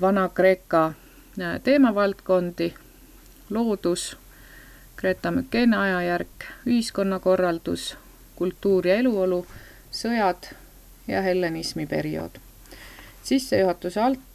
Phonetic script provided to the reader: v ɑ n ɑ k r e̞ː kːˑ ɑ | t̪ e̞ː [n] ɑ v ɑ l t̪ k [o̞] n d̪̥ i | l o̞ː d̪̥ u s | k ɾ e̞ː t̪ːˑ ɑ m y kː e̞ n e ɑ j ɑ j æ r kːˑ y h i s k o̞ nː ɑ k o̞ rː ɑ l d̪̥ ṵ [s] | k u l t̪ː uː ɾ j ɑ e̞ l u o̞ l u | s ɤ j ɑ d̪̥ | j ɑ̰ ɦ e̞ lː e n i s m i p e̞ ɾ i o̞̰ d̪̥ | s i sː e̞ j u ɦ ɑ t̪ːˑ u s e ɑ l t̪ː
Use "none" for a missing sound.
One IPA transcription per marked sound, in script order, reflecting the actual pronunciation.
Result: m, o̞, s

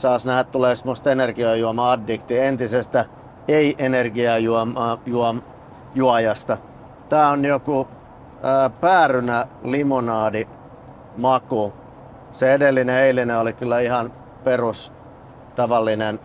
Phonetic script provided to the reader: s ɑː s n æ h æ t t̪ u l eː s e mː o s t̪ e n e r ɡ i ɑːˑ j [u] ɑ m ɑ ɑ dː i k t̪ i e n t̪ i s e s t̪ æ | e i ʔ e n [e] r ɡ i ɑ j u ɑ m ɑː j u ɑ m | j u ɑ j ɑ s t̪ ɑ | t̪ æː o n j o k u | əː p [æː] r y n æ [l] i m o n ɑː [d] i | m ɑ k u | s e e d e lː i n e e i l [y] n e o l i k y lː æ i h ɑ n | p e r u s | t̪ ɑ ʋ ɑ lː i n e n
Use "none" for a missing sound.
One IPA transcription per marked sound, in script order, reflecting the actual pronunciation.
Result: u, e, æː, l, d, i

